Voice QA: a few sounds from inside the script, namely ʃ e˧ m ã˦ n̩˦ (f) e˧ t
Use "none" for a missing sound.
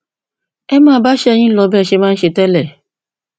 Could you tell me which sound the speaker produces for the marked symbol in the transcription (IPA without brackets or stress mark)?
ʃ